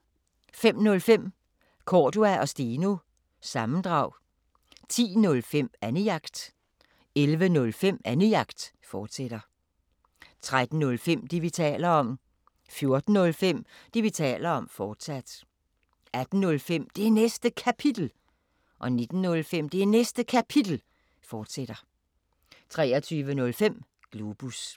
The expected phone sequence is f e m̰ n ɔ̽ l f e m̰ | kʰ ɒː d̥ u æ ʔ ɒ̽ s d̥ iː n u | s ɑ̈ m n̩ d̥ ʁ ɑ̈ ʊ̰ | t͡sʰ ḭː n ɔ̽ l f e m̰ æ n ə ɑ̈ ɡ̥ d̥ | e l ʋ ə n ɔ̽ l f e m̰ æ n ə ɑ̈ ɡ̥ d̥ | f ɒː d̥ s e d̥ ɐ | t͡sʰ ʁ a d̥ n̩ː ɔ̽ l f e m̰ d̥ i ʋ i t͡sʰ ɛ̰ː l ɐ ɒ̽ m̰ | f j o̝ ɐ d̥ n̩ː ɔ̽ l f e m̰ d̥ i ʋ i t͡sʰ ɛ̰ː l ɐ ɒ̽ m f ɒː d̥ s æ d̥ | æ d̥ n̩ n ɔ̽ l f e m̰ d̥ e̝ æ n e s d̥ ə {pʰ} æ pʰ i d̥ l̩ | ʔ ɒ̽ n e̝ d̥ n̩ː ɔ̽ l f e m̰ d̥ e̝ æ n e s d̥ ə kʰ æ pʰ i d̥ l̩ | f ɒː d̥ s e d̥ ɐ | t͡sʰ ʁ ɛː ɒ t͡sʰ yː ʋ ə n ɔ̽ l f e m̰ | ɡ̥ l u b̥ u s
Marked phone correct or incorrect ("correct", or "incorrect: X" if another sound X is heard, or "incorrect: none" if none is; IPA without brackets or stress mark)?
incorrect: kʰ